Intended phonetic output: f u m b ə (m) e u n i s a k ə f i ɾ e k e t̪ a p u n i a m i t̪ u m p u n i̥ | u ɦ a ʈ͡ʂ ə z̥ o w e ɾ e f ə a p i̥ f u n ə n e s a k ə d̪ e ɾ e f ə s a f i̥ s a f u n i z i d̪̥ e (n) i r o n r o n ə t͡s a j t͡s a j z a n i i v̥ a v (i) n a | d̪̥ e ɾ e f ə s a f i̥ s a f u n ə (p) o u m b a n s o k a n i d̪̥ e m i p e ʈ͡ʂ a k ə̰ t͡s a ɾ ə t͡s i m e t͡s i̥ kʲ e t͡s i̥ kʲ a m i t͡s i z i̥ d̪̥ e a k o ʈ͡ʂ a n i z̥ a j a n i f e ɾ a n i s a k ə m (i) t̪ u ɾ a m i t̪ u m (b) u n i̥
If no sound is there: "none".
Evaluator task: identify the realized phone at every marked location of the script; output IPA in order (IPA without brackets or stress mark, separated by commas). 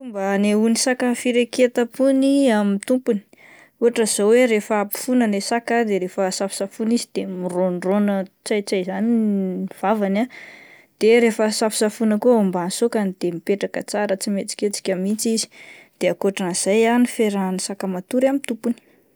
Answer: n, m, a, k, a, p